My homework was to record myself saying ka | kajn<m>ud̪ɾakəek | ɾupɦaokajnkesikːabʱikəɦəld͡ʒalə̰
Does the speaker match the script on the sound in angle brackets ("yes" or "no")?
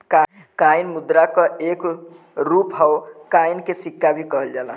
yes